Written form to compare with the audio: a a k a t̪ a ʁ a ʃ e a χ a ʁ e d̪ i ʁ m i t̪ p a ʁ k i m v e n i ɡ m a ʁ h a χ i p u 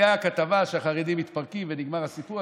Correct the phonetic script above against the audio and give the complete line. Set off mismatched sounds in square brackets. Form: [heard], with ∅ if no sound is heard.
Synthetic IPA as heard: a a k a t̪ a [v] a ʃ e a χ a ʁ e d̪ i [∅] m i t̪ p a ʁ k i m v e n i ɡ m a ʁ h a [s] i p u